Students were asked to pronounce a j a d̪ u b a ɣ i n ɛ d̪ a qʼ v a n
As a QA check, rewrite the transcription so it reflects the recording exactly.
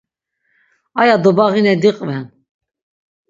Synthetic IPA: a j a d̪ ɔ b a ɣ i n ɛ d̪ i qʼ v ɛ n